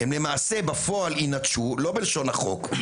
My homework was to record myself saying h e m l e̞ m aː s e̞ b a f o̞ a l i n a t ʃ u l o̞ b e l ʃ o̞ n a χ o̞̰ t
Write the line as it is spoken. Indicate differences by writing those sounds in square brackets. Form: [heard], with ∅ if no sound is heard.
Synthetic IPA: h e m l e̞ m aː s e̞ b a f o̞ a l i n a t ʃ u l o̞ b e l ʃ o̞ n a χ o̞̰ [k]